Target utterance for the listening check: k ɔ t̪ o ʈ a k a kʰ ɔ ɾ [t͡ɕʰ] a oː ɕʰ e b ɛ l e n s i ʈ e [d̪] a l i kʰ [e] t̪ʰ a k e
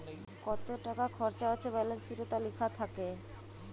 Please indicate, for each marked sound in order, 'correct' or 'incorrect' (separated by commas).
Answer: incorrect, incorrect, incorrect